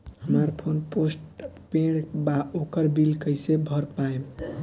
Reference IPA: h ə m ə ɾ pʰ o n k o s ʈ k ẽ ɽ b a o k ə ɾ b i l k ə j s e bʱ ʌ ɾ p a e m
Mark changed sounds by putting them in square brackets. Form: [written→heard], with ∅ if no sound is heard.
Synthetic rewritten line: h ə m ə ɾ pʰ o n [k→p] o s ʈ [k→p] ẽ ɽ b a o k ə ɾ b i l k ə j s e bʱ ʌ ɾ p a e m